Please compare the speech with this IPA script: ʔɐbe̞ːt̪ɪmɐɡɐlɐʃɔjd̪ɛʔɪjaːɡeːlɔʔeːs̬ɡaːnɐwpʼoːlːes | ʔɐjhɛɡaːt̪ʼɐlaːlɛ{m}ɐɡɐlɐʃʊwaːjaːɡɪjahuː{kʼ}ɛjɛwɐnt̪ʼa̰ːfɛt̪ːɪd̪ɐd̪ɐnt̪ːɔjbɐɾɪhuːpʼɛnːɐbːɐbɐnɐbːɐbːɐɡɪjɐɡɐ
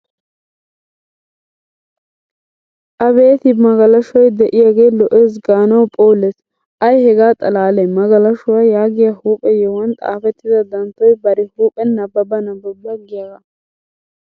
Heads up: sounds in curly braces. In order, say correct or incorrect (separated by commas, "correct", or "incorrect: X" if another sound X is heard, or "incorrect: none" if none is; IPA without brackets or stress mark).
correct, incorrect: pʼ